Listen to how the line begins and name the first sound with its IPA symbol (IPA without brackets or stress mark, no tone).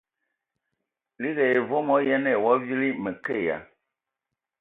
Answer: l